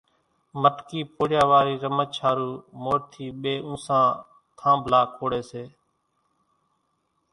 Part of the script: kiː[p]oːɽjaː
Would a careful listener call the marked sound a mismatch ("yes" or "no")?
no